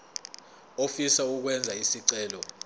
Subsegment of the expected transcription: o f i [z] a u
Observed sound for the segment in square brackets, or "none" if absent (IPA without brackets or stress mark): s